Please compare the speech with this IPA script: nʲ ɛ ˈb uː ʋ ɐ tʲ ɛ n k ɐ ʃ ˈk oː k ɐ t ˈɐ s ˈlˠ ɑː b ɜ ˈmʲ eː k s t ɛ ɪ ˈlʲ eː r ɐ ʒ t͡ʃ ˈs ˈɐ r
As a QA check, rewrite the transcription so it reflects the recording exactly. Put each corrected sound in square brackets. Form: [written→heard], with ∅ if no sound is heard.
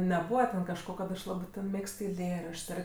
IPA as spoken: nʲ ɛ ˈb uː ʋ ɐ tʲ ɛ n k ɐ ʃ ˈk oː k ɐ t ˈɐ [s→ʃ] ˈlˠ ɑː b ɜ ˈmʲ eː k s t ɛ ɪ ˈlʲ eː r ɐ [ʒ→ʃ] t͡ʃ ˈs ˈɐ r